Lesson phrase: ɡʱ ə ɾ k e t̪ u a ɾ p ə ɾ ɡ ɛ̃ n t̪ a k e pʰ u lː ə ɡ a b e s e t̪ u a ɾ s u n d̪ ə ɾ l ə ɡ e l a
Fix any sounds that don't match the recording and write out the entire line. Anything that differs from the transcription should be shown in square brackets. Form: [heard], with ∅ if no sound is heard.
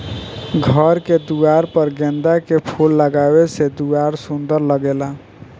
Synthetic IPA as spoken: ɡʱ ə ɾ k e [d̪] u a ɾ p ə ɾ ɡ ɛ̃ n [d̪] a k e pʰ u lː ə ɡ a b e s e [d̪] u a ɾ s u n d̪ ə ɾ l ə ɡ e l a